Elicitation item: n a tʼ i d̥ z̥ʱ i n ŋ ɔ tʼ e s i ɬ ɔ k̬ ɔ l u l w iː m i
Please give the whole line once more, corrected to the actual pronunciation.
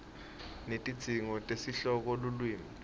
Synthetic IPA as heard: n e tʼ i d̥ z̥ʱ i ŋ ɔ tʼ e s i ɬ ɔ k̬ ɔ l u l w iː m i